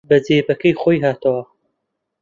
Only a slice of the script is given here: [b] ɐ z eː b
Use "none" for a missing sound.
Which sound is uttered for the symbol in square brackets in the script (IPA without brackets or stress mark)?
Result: b